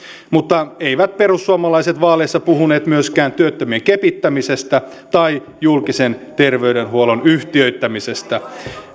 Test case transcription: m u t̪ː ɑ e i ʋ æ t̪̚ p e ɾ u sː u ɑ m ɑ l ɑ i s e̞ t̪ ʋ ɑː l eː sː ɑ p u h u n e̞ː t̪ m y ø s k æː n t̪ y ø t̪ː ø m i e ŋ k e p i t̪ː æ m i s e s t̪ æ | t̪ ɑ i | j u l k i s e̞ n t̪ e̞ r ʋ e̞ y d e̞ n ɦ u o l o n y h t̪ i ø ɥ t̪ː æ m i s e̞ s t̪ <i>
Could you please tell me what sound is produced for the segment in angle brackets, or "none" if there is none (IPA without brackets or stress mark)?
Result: æ